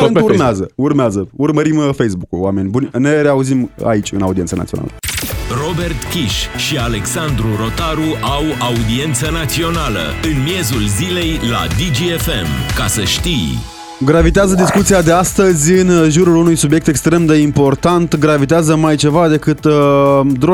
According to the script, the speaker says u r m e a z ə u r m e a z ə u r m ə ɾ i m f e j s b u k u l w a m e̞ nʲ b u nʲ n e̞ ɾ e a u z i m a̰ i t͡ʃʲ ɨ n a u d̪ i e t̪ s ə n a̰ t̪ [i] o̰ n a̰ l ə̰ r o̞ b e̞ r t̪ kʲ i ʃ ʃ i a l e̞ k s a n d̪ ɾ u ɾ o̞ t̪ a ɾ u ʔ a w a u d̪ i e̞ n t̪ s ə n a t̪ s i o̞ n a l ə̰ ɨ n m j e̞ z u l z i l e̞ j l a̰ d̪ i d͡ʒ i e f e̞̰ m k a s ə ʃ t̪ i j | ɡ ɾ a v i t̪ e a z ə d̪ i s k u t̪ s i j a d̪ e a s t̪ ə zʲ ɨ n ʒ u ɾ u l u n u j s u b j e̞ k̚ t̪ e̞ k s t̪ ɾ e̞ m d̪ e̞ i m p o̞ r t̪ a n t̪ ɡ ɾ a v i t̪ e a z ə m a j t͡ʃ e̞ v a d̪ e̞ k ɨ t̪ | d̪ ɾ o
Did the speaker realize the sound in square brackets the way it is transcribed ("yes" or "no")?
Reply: yes